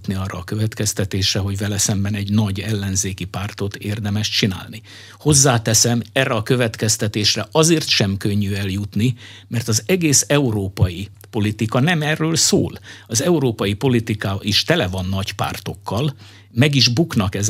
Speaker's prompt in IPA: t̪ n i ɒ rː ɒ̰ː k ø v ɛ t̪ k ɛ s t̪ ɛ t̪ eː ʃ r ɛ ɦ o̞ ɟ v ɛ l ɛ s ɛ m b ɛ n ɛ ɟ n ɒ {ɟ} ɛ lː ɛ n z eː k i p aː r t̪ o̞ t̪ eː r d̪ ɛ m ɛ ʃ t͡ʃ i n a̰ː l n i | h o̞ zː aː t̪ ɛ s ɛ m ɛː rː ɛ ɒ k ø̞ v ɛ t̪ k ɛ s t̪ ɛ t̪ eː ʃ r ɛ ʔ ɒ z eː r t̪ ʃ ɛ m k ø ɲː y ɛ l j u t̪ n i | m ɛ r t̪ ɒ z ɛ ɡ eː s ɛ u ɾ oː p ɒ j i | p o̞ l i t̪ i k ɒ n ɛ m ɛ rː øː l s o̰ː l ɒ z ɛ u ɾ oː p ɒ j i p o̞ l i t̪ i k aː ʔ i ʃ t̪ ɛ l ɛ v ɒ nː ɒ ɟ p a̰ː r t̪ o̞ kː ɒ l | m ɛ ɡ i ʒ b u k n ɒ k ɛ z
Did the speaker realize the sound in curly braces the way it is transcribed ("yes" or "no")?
yes